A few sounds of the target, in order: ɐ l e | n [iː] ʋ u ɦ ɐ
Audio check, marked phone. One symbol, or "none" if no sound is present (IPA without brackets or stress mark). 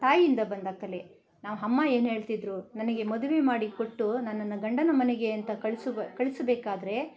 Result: aː